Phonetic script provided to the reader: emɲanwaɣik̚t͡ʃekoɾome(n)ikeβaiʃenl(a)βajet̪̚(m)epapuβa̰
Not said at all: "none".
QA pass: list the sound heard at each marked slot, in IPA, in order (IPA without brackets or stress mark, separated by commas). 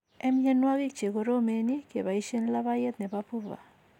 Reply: n, a, n